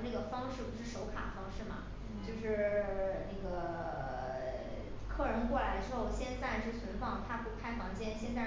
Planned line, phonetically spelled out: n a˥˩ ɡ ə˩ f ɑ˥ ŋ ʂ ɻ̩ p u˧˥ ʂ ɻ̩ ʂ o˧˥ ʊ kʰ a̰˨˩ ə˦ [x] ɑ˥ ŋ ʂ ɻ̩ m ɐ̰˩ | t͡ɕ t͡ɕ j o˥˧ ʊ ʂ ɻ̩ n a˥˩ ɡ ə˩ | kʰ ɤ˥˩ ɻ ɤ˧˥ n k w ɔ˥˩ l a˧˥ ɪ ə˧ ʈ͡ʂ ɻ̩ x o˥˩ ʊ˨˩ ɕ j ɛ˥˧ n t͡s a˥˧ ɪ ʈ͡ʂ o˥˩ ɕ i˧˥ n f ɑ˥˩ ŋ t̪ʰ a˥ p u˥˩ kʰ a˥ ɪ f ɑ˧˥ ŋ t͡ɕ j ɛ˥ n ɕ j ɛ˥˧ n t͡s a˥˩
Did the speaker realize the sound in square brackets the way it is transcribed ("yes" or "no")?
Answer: no